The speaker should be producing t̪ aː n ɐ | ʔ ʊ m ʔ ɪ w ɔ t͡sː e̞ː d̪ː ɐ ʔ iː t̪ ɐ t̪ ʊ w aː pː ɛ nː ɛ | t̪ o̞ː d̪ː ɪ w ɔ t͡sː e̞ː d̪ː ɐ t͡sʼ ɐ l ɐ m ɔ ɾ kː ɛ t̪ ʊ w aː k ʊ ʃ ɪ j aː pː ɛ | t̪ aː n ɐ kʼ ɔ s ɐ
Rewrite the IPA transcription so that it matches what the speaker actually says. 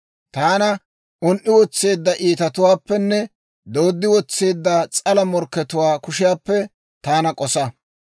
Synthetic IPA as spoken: t̪ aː n ɐ | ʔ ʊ n ʔ ɪ w ɔ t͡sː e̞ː d̪ː ɐ ʔ iː t̪ ɐ t̪ ʊ w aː pː ɛ nː ɛ | d̪ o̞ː d̪ː ɪ w ɔ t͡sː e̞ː d̪ː ɐ t͡sʼ ɐ l ɐ m ɔ ɾ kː ɛ t̪ ʊ w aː k ʊ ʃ ɪ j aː pː ɛ | t̪ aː n ɐ kʼ ɔ s ɐ

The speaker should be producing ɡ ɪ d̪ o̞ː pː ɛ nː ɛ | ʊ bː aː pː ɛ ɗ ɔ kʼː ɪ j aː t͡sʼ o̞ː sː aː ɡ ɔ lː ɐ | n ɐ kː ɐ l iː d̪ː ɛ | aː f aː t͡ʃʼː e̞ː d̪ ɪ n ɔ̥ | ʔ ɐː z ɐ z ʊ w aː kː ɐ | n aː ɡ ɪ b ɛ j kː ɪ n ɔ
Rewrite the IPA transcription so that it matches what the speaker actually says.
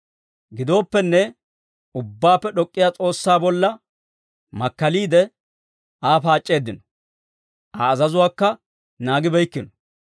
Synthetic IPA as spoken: ɡ ɪ d̪ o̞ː pː ɛ nː ɛ | ʊ bː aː pː ɛ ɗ ɔ kʼː ɪ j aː t͡sʼ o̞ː sː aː b ɔ lː ɐ | m ɐ kː ɐ l iː d̪ ɛ | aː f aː t͡ʃʼː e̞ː d̪ ɪ n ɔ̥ | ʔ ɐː z ɐ z ʊ w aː kː ɐ | n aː ɡ ɪ b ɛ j kː ɪ n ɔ

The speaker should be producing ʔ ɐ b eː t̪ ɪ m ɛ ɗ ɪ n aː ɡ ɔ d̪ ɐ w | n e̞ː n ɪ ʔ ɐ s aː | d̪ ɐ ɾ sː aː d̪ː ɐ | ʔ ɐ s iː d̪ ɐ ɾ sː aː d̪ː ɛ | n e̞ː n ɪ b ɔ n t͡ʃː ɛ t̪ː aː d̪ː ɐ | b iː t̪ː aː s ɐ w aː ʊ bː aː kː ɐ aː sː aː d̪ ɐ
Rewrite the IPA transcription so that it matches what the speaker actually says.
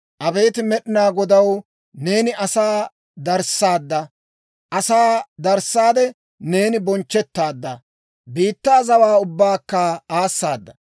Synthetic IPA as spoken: ʔ ɐ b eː t̪ ɪ m ɛ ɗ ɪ n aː ɡ ɔ d̪ ɐ w | n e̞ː n ɪ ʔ ɐ s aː | d̪ ɐ ɾ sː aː d̪ː ɐ | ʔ ɐ s aː d̪ ɐ ɾ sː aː d̪ ɛ | n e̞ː n ɪ b ɔ n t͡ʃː ɛ t̪ː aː d̪ː ɐ | b iː t̪ː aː z ɐ w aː ʊ bː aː kː ɐ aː sː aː d̪ː ɐ

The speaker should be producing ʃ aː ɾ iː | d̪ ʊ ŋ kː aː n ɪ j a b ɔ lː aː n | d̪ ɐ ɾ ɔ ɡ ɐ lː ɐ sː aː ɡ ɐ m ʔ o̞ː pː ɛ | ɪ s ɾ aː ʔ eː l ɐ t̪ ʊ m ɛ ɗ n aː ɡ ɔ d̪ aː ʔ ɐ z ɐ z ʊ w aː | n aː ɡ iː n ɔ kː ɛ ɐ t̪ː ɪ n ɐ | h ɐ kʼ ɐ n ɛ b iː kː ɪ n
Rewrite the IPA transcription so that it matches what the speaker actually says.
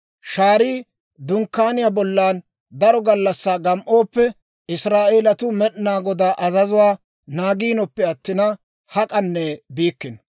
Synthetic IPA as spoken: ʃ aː ɾ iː | d̪ ʊ ŋ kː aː n ɪ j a b ɔ lː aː n | d̪ ɐ ɾ ɔ ɡ ɐ lː ɐ sː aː ɡ ɐ m ʔ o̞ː pː ɛ | ɪ s ɾ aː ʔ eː l ɐ t̪ ʊ m ɛ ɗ n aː ɡ ɔ d̪ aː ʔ ɐ z ɐ z ʊ w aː | n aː ɡ iː n ɔ pː ɛ ɐ t̪ː ɪ n ɐ | h ɐ kʼ ɐ nː ɛ b iː kː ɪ n

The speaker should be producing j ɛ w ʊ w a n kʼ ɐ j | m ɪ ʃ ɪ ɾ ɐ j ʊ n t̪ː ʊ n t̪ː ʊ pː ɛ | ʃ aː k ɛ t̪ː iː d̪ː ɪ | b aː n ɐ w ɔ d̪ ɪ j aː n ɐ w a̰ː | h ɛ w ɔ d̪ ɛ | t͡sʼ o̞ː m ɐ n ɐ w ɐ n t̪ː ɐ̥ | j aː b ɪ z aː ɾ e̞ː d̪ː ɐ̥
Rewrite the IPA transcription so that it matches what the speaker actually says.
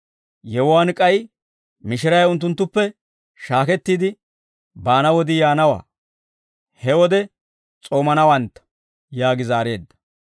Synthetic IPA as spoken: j ɛ w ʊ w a n kʼ ɐ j | m ɪ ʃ ɪ ɾ ɐ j ʊ n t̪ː ʊ n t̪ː ʊ pː ɛ | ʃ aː k ɛ t̪ː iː d̪ ɪ | b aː n ɐ w ɔ d̪ ɪ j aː n ɐ w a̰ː | h ɛ w ɔ d̪ ɛ | t͡sʼ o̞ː m ɐ n ɐ w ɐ n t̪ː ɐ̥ | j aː ɡ ɪ z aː ɾ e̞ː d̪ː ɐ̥

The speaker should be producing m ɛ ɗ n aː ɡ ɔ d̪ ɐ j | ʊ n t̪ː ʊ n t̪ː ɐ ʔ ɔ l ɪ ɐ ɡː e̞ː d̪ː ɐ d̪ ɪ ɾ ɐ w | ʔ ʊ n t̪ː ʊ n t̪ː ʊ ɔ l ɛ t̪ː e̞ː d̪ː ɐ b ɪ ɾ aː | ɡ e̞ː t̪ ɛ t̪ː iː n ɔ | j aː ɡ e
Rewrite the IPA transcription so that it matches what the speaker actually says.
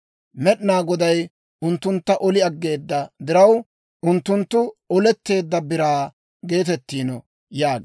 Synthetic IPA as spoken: m ɛ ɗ n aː ɡ ɔ d̪ ɐ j | ʊ n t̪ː ʊ n t̪ː ɐ ʔ ɔ l ɪ ɐ ɡː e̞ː d̪ː ɐ d̪ ɪ ɾ ɐ w | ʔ ʊ n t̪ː ʊ n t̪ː ʊ ɔ l ɛ t̪ː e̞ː d̪ː ɐ b ɪ ɾ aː | ɡ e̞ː t̪ ɛ t̪ː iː n ɔ | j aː ɡ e

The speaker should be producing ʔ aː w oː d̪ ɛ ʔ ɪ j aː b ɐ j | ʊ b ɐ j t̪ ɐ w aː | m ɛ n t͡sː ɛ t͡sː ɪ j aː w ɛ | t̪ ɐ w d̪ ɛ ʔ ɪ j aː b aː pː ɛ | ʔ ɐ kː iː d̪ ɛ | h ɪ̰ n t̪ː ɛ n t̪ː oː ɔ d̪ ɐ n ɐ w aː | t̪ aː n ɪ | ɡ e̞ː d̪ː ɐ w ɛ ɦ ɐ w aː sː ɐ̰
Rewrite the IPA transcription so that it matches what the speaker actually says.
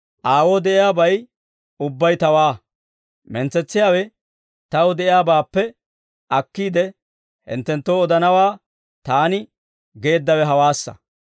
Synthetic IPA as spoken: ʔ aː w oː d̪ ɛ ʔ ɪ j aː b ɐ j | ʊ bː ɐ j t̪ ɐ w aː | m ɛ n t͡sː ɛ t͡sː ɪ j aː w ɛ | t̪ ɐ w d̪ ɛ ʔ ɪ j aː b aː pː ɛ | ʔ ɐ kː iː d̪ ɛ | h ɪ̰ n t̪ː ɛ n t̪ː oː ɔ d̪ ɐ n ɐ w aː | t̪ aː n ɪ | ɡ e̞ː d̪ː ɐ w ɛ ɦ ɐ w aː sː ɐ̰

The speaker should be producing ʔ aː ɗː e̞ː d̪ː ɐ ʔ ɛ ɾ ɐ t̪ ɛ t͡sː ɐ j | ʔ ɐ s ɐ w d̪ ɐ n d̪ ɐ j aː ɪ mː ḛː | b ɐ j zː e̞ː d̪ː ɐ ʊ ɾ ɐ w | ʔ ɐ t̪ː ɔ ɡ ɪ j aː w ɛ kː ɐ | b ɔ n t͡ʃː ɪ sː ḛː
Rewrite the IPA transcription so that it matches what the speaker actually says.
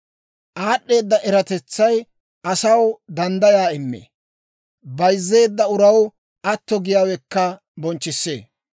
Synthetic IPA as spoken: ʔ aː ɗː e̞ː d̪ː ɐ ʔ ɛ ɾ ɐ t̪ ɛ t͡sː ɐ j | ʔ ɐ s ɐ w d̪ ɐ n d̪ ɐ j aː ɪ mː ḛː | b ɐ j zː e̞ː d̪ː ɐ ʊ ɾ ɐ w | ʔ ɐ t̪ː ɔ ɡ ɪ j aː w ɛ kː ɐ | b ɔ n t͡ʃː ɪ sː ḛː

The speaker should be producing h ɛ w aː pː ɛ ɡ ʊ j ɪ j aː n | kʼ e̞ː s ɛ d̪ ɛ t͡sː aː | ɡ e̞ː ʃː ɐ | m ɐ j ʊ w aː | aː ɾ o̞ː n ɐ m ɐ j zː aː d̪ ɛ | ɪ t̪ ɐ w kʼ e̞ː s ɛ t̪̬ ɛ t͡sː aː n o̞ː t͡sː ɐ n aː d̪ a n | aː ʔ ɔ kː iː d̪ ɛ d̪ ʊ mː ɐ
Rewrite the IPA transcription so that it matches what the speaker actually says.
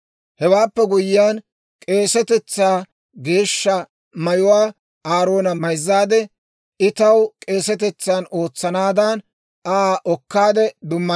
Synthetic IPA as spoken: h ɛ w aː pː ɛ ɡ ʊ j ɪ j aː n | kʼ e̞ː s ɛ t̪ ɛ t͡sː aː | ɡ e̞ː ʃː ɐ | m ɐ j ʊ w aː | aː ɾ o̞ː n ɐ m ɐ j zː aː d̪ ɛ | ɪ t̪ ɐ w kʼ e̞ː s ɛ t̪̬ ɛ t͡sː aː n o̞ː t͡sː ɐ n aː d̪ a n | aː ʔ ɔ kː aː d̪ ɛ d̪ ʊ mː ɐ

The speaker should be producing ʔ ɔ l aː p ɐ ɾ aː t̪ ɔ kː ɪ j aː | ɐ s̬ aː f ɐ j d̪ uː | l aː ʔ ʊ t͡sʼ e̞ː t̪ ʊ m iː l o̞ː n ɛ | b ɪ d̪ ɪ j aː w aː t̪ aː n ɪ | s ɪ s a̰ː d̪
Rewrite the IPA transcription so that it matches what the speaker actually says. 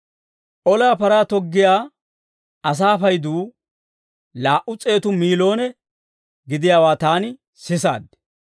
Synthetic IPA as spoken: ʔ ɔ l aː p ɐ ɾ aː t̪ ɔ ɡː ɪ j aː | ɐ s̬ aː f ɐ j d̪ uː | l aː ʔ ʊ t͡sʼ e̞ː t̪ ʊ m iː l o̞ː n ɛ | ɡ ɪ d̪ ɪ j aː w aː t̪ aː n ɪ | s ɪ s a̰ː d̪

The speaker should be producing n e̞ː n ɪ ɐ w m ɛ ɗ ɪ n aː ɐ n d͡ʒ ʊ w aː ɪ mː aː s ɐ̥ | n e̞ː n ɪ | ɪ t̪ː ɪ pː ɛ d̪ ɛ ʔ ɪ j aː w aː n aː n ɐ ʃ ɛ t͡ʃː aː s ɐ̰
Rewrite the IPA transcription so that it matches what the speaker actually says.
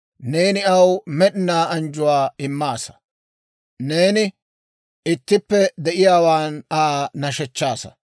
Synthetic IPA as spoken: n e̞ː n ɪ ɐ w m ɛ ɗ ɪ n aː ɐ n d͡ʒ ʊ w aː ɪ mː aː s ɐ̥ | n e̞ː n ɪ | ɪ t̪ː ɪ pː ɛ d̪ ɛ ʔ ɪ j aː w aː n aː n ɐ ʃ ɛ t͡ʃː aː s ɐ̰

